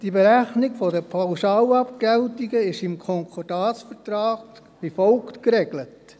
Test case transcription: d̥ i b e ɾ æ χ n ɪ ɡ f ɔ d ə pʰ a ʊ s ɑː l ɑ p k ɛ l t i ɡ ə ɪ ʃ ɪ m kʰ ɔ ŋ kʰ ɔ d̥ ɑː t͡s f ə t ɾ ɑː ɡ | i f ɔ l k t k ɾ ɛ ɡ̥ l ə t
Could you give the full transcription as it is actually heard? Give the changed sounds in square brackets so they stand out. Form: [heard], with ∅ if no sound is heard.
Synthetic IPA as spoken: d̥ i b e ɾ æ χ n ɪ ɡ f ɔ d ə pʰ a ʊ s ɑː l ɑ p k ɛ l t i ɡ ə ɪ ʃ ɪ m kʰ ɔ ŋ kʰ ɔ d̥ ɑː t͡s f ə t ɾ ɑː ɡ | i f ɔ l k t k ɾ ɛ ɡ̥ l ə t